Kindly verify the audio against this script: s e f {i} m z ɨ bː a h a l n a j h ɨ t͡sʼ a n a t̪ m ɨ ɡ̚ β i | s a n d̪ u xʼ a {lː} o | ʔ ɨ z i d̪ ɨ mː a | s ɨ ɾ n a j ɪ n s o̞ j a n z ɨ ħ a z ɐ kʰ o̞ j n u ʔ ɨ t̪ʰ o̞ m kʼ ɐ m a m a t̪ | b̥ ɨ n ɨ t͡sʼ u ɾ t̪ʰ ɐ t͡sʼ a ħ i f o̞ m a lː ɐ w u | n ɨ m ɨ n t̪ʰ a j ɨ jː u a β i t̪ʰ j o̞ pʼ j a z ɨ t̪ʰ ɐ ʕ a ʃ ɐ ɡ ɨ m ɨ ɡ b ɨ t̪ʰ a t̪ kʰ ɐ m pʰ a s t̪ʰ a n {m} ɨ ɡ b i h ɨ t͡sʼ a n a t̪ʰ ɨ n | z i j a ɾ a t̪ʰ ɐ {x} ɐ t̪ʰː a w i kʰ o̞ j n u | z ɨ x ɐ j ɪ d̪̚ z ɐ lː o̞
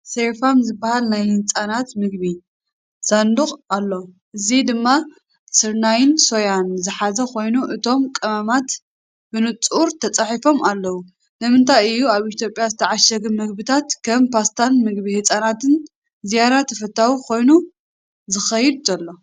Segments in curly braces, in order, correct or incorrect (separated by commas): incorrect, correct, correct, incorrect